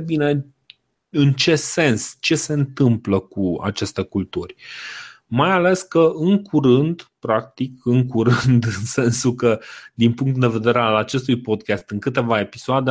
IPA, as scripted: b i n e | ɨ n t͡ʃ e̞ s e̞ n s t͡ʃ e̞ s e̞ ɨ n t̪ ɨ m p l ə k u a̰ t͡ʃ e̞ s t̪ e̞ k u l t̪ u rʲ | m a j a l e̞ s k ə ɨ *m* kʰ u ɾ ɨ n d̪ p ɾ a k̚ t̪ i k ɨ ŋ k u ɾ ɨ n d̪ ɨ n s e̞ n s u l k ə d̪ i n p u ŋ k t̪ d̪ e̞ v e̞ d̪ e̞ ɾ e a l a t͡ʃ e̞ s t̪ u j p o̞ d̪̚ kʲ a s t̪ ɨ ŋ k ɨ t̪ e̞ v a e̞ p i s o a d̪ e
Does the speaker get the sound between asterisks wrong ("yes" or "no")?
yes